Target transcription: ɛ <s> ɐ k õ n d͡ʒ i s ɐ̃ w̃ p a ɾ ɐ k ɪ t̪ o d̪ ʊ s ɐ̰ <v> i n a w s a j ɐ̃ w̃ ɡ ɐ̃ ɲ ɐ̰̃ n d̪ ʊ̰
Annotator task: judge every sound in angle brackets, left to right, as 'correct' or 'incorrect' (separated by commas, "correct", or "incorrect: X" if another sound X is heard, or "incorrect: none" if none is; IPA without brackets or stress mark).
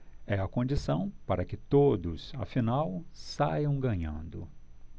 incorrect: none, incorrect: f